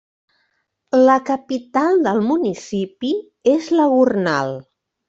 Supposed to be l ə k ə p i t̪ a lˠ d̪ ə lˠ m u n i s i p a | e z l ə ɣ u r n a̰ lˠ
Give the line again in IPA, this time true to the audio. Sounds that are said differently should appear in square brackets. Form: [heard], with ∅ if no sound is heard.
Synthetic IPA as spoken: l ə k ə p i t̪ a lˠ d̪ ə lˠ m u n i s i p [i] | e z l ə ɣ u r n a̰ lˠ